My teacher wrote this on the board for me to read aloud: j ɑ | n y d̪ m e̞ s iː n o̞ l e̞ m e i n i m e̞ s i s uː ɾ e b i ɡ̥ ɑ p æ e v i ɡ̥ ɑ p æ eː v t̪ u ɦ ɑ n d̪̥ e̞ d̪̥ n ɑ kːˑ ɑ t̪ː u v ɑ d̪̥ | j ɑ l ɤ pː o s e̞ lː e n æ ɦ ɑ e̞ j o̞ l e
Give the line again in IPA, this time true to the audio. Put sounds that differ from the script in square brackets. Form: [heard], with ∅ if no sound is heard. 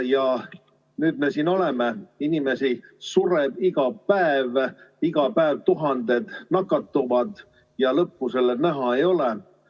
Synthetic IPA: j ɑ | n [yː] d̪ m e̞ s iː n o̞ l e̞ m e i n i m e̞ s i s [u] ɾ e b i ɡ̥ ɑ p æ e v i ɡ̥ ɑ p æ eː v t̪ u ɦ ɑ n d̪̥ e̞ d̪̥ n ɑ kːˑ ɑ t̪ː u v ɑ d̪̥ | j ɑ l ɤ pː [u] s e̞ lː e n æ ɦ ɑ e̞ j o̞ l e

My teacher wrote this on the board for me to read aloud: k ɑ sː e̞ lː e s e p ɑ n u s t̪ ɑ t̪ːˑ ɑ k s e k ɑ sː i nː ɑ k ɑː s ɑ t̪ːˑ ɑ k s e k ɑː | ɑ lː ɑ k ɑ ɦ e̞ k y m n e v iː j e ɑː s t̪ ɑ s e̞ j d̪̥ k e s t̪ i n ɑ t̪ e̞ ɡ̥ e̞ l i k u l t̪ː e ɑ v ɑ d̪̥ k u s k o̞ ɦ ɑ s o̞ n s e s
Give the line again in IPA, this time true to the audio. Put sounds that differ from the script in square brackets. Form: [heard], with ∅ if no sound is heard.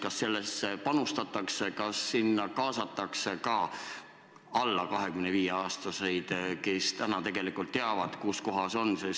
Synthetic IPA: k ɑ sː e̞ lː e s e p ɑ n u s t̪ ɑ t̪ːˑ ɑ k s e k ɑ sː i nː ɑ k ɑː s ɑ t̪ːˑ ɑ k s e k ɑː | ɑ lː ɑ k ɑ ɦ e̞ k y m n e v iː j e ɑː s t̪ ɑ s e̞ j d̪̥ k e s t̪ [æ] n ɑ t̪ e̞ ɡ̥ e̞ l i k u l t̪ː e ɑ v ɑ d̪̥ k u s k o̞ ɦ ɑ s o̞ n s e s

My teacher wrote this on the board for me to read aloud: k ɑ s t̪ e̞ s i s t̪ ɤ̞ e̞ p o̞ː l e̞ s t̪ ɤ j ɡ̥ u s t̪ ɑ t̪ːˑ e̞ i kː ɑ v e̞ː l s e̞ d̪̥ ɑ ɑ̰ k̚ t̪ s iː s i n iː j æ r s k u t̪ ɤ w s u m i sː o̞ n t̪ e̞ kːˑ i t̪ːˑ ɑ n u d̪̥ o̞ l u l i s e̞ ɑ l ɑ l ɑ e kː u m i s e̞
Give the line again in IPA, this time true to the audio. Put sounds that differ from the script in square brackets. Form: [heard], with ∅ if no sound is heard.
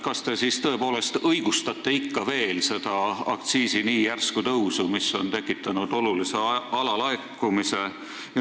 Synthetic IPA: k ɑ s t̪ e̞ s i s t̪ ɤ̞ e̞ p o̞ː l e̞ s t̪ ɤ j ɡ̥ u s t̪ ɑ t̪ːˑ e̞ i kː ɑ v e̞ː l s e̞ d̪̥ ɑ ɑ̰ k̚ t̪ s iː s i n iː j æ r s k u t̪ ɤ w s u m i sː o̞ n t̪ e̞ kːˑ i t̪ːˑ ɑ n u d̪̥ o̞ l u l i s e̞ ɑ l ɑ l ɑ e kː u m i s e̞

